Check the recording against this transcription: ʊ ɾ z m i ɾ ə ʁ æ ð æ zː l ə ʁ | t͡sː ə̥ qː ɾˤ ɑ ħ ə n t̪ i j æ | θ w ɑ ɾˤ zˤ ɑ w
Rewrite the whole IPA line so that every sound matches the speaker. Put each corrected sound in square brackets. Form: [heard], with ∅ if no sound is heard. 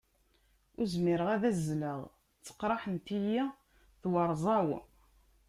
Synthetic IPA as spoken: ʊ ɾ z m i ɾ ə ʁ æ ð æ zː l ə ʁ | t͡sː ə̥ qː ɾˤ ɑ ħ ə n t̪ i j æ | θ w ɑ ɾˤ zˤ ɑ w